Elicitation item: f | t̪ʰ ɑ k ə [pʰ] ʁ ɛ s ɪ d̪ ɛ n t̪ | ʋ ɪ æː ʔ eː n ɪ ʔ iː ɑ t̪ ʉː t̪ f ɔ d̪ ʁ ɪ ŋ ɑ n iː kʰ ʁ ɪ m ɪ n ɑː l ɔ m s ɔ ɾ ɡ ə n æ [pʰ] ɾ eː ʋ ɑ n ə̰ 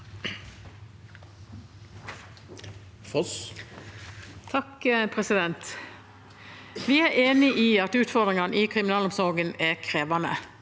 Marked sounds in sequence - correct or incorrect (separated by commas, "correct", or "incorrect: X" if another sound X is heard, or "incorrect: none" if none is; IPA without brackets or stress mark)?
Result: correct, incorrect: kʰ